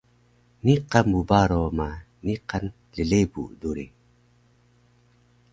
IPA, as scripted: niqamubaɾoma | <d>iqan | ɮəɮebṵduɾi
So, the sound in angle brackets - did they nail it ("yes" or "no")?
no